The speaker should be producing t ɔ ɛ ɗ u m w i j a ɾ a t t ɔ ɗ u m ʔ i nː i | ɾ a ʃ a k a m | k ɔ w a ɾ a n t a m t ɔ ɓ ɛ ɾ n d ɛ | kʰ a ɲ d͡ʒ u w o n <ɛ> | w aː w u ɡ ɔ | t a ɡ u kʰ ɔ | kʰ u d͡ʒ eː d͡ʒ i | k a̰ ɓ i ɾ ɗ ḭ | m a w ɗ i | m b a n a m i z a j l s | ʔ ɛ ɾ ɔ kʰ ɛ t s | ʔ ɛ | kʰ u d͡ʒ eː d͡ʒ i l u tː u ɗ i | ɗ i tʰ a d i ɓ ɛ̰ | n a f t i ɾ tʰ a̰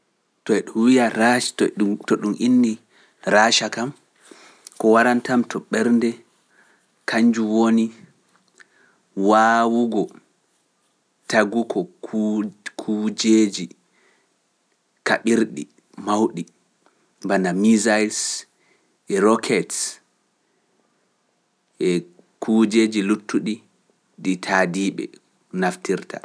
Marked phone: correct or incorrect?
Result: incorrect